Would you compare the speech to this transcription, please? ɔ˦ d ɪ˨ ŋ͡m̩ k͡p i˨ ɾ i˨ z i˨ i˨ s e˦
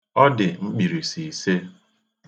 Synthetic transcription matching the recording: ɔ˦ d ɪ˨ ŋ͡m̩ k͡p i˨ ɾ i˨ s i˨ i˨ s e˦